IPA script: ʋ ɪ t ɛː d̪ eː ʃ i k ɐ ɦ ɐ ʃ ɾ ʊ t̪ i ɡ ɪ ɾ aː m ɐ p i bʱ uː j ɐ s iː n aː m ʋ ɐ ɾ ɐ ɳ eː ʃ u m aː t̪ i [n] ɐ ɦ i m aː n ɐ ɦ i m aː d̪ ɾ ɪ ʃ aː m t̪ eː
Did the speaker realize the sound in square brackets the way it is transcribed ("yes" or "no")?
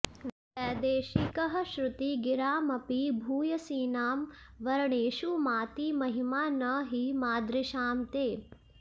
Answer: no